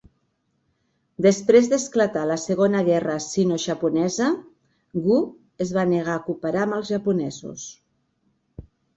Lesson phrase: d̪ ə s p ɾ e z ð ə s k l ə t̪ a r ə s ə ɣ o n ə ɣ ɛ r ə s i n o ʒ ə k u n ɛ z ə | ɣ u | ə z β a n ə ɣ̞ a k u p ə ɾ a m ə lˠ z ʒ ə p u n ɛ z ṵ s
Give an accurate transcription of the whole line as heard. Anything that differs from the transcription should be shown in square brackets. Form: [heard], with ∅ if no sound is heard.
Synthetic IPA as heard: d̪ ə s p ɾ e z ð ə s k l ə t̪ a [l] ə s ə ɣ o n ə ɣ ɛ r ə s i n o ʒ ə [p] u n ɛ z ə | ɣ u | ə z β a n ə ɣ̞ a k u p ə ɾ a m ə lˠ z ʒ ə p u n ɛ z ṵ s